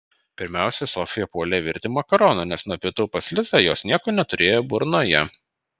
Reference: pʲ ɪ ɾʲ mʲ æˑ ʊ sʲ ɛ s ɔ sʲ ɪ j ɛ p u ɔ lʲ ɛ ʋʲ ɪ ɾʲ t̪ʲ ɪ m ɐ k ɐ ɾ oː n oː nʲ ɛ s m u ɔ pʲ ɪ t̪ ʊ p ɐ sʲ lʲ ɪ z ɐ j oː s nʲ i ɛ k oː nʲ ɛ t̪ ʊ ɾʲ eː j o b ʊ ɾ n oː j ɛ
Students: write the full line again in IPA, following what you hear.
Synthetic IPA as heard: pʲ ɪ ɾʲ mʲ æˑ ʊ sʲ ɛ s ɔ fʲ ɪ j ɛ p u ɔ lʲ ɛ ʋʲ ɪ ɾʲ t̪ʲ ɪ m ɐ k ɐ ɾ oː n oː nʲ ɛ s n u ɔ pʲ ɪ t̪ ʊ p ɐ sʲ lʲ ɪ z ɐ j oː s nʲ i ɛ k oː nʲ ɛ t̪ ʊ ɾʲ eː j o b ʊ ɾ n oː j ɛ